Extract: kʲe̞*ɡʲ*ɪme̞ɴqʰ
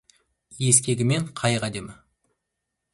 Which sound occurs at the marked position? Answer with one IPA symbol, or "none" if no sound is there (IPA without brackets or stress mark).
ɡʲ